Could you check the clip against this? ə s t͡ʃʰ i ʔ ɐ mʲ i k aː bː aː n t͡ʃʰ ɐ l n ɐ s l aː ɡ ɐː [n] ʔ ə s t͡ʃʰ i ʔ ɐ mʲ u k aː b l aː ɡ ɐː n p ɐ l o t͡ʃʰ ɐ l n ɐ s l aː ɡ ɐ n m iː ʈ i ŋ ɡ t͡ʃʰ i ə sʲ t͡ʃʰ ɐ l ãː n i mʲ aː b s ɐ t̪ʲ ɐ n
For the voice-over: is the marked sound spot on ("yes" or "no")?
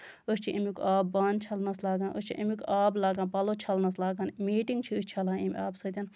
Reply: yes